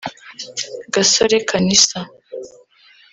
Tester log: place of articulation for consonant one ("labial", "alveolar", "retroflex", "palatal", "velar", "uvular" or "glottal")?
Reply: velar